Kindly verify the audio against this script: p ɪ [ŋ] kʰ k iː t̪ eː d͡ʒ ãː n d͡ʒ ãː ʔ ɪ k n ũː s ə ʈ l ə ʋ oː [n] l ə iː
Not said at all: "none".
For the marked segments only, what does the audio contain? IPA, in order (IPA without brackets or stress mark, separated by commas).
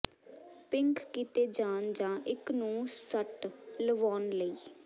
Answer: ŋ, n